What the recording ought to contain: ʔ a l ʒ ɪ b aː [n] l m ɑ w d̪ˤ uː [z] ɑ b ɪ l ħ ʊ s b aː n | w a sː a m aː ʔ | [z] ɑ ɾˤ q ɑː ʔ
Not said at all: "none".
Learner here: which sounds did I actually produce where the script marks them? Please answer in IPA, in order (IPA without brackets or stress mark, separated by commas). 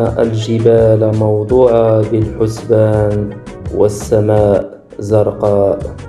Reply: none, ʕ, z